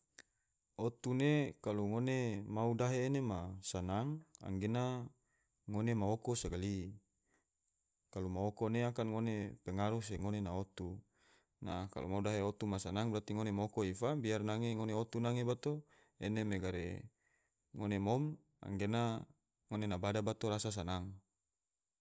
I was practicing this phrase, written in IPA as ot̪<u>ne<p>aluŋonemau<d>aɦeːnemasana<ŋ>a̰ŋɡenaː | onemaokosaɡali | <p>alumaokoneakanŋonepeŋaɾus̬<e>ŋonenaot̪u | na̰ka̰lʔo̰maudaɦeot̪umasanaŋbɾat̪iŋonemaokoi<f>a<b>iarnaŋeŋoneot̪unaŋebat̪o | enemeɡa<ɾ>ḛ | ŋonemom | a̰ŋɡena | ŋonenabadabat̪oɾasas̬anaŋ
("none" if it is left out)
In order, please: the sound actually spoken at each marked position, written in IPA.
u, k, d, ŋ, k, e, f, b, ɾ

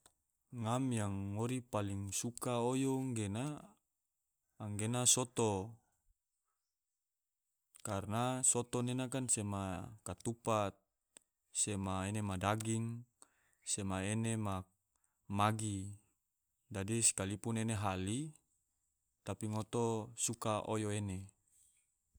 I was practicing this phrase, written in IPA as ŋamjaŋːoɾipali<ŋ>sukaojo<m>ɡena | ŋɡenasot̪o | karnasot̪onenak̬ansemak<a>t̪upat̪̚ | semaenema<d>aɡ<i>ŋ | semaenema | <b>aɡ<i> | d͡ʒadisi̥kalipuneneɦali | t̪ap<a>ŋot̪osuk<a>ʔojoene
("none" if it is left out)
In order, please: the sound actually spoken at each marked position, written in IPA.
ŋ, ŋ, a, d, i, m, i, i, a

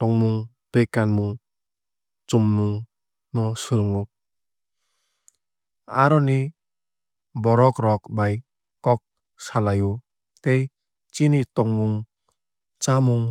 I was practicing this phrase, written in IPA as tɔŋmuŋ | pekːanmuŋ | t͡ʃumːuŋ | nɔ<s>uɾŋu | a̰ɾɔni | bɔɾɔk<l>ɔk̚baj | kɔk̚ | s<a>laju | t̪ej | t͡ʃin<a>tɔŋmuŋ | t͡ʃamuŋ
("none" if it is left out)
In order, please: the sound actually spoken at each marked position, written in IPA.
s, ɾ, a, i

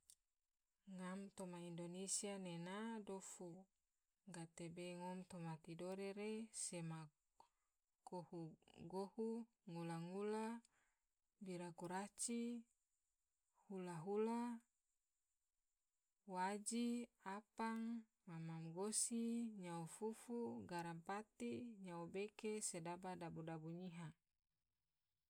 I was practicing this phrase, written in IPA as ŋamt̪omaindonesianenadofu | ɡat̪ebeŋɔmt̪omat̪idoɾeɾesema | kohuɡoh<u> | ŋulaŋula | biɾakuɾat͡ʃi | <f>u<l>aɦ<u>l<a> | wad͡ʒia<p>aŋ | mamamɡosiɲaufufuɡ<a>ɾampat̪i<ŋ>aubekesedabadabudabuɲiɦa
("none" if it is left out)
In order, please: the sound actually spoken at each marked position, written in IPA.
u, h, l, u, a, p, a, ɲ

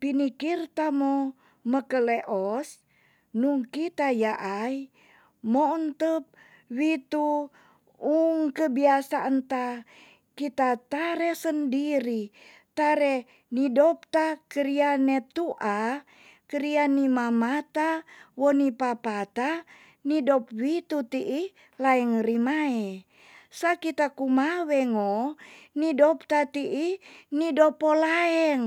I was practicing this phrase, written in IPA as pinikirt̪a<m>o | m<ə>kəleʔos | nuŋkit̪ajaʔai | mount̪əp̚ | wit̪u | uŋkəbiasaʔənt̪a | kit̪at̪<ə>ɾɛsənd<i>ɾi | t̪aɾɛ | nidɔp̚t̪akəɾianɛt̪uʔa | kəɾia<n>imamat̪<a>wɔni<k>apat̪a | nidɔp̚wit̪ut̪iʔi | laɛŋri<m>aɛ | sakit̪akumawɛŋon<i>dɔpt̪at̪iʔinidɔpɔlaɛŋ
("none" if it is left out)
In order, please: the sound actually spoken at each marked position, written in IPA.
m, ə, a, i, n, a, p, m, i

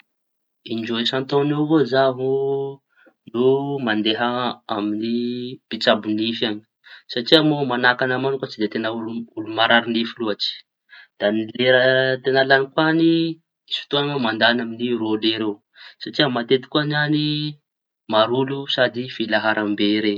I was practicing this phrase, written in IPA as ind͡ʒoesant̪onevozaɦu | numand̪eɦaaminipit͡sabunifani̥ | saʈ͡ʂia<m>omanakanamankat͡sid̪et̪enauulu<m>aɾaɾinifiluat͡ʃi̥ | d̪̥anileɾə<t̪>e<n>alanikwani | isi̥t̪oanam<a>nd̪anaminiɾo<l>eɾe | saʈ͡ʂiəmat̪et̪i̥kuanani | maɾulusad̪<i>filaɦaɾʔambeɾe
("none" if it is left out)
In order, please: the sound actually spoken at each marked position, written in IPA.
m, m, t̪, n, a, l, i

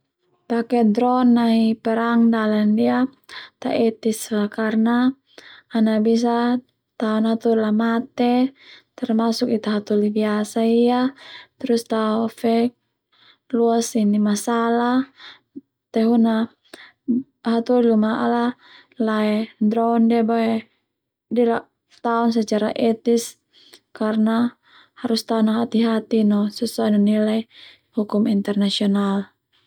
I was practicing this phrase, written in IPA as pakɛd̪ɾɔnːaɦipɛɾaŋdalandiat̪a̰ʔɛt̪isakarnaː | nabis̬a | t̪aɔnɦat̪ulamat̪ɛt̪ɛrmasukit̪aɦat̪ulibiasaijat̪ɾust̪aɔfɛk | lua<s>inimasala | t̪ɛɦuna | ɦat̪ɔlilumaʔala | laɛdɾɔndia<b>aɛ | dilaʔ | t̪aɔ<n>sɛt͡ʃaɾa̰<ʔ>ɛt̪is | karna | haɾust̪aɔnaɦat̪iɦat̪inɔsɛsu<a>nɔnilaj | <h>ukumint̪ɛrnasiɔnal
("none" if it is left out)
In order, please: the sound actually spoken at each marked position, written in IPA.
s, b, n, ʔ, a, h

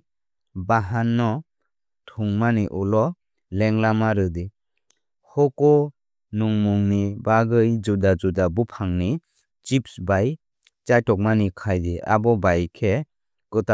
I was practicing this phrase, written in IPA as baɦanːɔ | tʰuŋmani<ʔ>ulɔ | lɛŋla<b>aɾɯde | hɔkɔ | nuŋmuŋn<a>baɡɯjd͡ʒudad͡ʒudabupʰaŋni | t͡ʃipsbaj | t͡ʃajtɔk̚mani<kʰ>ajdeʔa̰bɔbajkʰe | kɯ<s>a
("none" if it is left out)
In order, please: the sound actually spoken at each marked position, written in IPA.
ʔ, m, i, kʰ, t

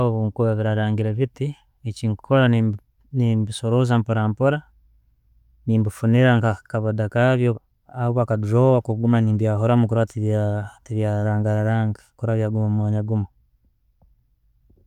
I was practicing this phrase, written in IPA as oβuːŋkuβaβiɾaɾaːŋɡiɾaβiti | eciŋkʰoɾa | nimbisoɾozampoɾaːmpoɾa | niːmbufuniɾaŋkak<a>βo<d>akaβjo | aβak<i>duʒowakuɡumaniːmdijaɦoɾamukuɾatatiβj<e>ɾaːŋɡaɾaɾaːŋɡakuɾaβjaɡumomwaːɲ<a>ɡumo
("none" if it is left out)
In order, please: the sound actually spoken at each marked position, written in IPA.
a, d, a, a, a

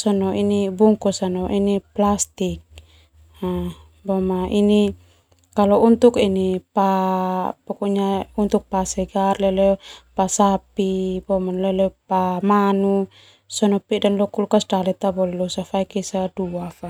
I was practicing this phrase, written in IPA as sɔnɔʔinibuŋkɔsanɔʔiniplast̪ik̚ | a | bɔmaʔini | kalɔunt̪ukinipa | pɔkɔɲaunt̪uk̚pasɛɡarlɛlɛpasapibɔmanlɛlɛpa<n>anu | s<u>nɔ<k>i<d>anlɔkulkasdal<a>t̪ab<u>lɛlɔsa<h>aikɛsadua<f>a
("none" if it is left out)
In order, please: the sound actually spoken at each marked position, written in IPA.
m, ɔ, p, d, ɛ, ɔ, f, f

